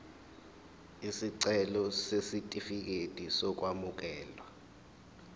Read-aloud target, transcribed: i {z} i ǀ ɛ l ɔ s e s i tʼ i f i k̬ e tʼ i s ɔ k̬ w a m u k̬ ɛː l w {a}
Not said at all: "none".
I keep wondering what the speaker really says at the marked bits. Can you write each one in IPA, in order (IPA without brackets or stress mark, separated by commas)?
s, a